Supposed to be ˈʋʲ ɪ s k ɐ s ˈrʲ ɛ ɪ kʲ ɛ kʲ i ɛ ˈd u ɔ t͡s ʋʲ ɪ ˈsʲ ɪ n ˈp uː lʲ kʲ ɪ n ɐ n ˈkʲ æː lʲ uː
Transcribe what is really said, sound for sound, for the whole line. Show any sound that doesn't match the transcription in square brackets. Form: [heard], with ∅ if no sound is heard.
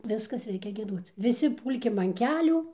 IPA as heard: ˈʋʲ ɪ s k ɐ s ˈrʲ ɛ ɪ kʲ ɛ [ɡʲ] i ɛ ˈd u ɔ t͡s ʋʲ ɪ ˈsʲ ɪ [∅] ˈp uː lʲ kʲ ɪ [m] ɐ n ˈkʲ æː lʲ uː

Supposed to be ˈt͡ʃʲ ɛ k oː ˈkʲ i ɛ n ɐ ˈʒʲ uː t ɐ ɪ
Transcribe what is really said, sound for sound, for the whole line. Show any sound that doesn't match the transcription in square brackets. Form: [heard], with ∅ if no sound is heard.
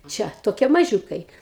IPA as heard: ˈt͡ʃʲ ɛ [t] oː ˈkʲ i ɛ [m] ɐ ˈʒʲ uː [k] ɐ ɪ

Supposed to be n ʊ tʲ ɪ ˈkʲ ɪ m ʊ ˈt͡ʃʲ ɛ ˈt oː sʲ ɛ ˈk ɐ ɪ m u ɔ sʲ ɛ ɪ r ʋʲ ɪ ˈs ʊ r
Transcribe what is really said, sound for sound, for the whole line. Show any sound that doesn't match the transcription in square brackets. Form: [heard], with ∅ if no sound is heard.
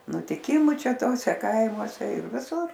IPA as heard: n ʊ tʲ ɪ ˈkʲ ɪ m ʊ ˈt͡ʃʲ ɛ ˈt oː sʲ ɛ ˈk ɐ ɪ m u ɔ sʲ ɛ ɪ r ʋʲ ɪ ˈs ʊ r

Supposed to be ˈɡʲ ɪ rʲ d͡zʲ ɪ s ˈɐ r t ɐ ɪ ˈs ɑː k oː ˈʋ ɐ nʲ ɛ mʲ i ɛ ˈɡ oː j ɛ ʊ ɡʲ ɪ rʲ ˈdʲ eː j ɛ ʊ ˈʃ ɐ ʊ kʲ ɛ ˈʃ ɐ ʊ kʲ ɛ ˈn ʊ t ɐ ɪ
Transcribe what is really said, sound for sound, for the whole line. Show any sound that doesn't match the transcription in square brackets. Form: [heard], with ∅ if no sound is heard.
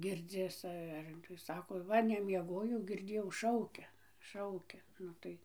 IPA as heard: ˈɡʲ ɪ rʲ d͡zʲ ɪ s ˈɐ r t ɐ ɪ ˈs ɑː k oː ˈʋ ɐ nʲ ɛ mʲ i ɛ ˈɡ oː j ɛ ʊ ɡʲ ɪ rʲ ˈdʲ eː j ɛ ʊ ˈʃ ɐ ʊ kʲ ɛ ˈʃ ɐ ʊ kʲ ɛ ˈn ʊ t ɐ ɪ

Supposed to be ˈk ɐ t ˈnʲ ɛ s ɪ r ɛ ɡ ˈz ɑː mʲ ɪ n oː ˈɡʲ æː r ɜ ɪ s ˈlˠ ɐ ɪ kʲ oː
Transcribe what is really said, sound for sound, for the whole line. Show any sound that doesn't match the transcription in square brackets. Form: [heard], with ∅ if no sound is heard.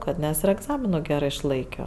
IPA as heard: ˈk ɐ t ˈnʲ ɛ s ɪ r ɛ ɡ ˈz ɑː mʲ ɪ n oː ˈɡʲ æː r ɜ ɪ [ʃ] ˈlˠ ɐ ɪ kʲ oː

